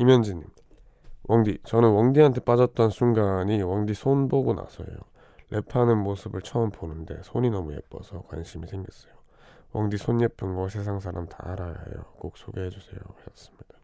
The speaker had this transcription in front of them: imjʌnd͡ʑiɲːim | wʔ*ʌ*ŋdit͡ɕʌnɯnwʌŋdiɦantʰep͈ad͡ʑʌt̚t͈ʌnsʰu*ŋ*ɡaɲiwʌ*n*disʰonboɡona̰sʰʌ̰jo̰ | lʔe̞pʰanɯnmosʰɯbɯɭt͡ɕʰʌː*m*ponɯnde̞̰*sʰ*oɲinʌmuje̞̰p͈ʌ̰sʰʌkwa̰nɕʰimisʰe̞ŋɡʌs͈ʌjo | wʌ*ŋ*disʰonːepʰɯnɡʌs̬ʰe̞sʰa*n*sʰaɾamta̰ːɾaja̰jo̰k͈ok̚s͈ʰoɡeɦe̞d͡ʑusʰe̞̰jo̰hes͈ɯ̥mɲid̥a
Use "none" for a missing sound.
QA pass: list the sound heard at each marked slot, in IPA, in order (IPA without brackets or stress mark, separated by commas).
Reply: ʌ, ŋ, ŋ, m, sʰ, ŋ, ŋ